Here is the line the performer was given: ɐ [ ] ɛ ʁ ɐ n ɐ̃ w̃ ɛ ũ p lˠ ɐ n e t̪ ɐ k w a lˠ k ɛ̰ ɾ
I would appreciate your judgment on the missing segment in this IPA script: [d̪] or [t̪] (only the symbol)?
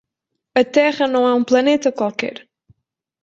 t̪